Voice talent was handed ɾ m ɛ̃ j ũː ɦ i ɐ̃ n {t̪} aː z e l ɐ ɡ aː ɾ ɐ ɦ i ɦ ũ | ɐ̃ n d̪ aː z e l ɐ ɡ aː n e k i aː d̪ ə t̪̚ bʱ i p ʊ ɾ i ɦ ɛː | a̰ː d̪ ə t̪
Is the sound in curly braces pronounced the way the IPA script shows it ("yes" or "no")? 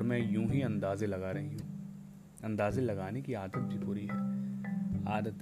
no